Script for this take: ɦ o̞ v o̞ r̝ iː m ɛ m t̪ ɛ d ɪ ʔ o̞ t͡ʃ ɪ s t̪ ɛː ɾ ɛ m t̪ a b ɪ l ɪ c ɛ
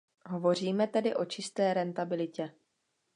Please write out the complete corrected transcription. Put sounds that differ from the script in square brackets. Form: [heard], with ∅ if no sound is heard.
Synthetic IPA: ɦ o̞ v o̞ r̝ iː m ɛ [∅] t̪ ɛ d ɪ ʔ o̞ t͡ʃ ɪ s t̪ ɛː ɾ ɛ [n] t̪ a b ɪ l ɪ c ɛ